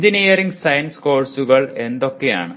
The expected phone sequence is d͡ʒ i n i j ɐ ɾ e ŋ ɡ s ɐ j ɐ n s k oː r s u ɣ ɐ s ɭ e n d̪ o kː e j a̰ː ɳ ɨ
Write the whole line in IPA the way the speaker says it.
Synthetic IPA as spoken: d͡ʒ i n i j ɐ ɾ i ŋ ɡ s ɐ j ɐ n s k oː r s u ɣ ɐ ɭ e n d̪ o kː e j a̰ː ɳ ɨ